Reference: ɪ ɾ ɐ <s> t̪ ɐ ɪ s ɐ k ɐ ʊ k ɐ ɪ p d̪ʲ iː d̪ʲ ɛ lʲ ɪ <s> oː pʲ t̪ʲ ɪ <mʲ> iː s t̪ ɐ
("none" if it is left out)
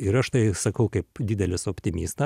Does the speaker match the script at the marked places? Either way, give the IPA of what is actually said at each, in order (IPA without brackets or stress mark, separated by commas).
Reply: ʃ, s, mʲ